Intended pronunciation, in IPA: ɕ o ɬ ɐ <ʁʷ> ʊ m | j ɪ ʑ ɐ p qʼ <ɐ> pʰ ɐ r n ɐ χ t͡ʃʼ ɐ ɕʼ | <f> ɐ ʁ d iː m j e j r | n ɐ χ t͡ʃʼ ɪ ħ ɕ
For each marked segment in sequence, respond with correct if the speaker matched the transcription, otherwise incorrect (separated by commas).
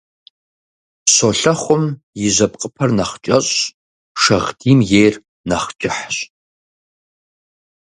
incorrect, incorrect, incorrect